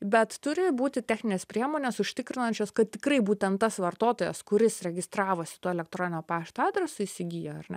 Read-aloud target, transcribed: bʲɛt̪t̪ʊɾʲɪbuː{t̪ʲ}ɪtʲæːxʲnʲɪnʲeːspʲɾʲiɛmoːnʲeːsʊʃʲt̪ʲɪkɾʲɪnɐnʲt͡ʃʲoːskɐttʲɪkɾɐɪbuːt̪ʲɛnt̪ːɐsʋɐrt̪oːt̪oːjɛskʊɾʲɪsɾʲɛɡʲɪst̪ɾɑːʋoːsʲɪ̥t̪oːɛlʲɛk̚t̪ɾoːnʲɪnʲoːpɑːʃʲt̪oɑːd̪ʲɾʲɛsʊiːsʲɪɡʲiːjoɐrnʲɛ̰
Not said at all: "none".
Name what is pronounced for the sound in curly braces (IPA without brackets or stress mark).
t̪ʲ